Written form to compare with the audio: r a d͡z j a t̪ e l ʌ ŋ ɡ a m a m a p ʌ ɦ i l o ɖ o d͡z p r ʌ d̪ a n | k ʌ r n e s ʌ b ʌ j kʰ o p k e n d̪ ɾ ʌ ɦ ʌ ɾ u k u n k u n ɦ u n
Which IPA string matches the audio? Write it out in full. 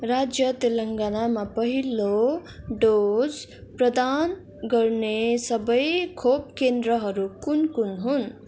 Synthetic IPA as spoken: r a d͡z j ʌ t̪ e l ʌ ŋ ɡ a n a m a p ʌ ɦ i l o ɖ o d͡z p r ʌ d̪ a n | ɡ ʌ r n e s ʌ b ʌ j kʰ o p k e n d̪ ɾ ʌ ɦ ʌ ɾ u k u n k u n ɦ u n